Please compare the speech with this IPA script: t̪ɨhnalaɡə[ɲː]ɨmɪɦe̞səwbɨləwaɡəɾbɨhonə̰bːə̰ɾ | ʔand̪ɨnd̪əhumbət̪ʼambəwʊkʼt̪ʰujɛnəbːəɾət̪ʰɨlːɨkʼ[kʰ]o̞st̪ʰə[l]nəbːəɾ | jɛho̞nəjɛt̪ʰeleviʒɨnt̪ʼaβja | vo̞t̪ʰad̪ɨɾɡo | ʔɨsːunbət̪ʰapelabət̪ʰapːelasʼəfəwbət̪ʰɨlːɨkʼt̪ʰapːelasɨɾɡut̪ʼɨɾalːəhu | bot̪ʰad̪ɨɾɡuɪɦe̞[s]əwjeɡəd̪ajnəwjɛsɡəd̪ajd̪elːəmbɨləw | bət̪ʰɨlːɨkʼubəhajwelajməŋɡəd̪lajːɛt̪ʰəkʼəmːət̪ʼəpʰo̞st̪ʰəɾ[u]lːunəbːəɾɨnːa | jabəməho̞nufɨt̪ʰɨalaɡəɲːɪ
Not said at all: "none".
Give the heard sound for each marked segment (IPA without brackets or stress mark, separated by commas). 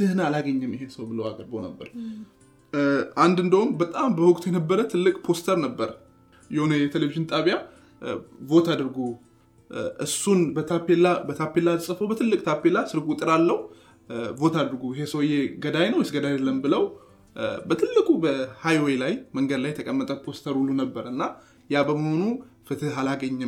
ɲː, pʰ, ɾ, s, u